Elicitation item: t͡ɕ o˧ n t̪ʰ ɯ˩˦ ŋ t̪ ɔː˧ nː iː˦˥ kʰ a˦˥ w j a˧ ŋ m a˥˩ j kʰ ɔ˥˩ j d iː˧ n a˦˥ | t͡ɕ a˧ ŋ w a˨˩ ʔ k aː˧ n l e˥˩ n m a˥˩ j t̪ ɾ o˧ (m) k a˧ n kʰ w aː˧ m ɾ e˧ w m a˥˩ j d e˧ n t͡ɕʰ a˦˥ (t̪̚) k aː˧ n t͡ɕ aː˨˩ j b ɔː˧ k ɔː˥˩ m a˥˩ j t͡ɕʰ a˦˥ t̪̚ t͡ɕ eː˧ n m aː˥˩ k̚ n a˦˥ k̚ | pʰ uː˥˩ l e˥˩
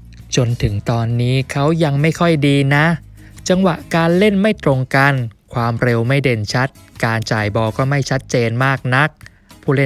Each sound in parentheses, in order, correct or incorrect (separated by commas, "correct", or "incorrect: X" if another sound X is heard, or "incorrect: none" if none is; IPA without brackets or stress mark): incorrect: ŋ, correct